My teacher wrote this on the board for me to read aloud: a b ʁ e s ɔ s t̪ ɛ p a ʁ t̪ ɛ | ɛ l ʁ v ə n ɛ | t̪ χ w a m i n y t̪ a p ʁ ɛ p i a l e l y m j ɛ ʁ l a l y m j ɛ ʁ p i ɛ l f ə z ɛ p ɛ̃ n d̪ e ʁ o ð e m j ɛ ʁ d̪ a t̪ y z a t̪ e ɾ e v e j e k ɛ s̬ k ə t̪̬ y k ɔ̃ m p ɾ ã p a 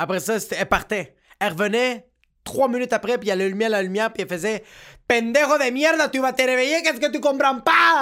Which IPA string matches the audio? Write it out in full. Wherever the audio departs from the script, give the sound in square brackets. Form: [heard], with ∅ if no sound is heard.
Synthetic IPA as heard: a [p] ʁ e s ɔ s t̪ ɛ p a ʁ t̪ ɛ | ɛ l ʁ v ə n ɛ | t̪ χ w a m i n y t̪ a p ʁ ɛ p i a l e l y m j ɛ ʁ l a l y m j ɛ ʁ p i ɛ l f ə z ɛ p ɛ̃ n d̪ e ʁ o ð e m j ɛ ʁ d̪ a t̪ y [v] a t̪ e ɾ e v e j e k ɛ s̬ k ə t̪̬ y k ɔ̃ m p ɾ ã p a